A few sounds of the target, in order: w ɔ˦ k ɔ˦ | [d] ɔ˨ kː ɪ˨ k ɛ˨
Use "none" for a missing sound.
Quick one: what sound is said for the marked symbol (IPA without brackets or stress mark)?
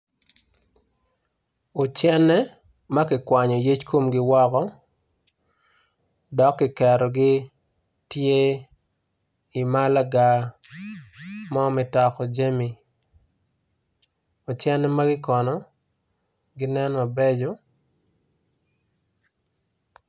d